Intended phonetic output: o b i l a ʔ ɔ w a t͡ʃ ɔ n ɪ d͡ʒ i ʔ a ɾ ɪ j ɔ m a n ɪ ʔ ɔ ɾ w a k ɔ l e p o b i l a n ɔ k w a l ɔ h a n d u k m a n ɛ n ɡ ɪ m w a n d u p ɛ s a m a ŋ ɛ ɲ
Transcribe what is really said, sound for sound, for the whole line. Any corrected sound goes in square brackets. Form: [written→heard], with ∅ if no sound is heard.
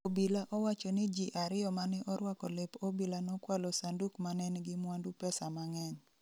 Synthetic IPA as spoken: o b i l a ʔ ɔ w a t͡ʃ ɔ n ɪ d͡ʒ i ʔ a ɾ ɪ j ɔ m a n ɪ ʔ ɔ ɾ w a k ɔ l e p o b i l a n ɔ k w a l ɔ [h→s] a n d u k m a n ɛ n ɡ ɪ m w a n d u p ɛ s a m a ŋ ɛ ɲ